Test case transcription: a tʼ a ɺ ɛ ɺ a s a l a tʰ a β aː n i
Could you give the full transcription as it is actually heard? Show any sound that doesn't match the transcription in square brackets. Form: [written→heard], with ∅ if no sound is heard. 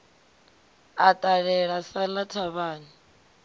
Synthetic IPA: a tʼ a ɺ ɛ ɺ a s a l a tʰ a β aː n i